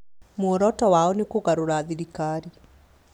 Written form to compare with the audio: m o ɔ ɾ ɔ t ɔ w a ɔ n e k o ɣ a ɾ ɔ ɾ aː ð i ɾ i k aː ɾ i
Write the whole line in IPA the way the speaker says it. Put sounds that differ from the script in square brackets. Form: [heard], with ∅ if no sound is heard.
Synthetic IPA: m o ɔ ɾ ɔ t ɔ w a ɔ n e k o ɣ a ɾ [o] ɾ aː ð i ɾ i k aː ɾ i